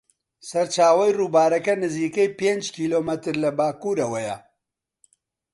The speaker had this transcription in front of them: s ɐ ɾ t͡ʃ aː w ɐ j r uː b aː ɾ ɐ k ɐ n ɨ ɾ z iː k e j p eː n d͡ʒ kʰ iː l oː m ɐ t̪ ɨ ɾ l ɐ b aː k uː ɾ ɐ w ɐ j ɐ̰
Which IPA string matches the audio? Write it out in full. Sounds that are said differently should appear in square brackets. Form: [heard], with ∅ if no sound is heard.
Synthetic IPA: s ɐ ɾ t͡ʃ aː w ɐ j r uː b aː ɾ ɐ k ɐ n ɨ [∅] z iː k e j p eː n d͡ʒ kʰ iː l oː m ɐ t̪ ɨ ɾ l ɐ b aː k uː ɾ ɐ w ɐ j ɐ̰